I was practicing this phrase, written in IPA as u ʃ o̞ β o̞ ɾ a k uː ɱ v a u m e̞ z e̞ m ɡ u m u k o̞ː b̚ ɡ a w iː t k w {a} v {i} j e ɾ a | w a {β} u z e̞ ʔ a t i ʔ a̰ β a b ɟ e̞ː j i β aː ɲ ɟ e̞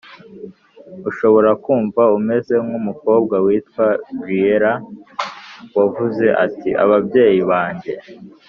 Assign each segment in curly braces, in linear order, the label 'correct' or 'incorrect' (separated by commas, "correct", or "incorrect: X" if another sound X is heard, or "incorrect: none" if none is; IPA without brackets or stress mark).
correct, correct, incorrect: v